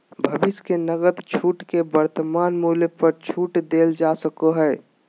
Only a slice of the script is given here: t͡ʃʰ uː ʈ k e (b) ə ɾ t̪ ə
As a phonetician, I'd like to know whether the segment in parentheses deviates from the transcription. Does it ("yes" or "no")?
no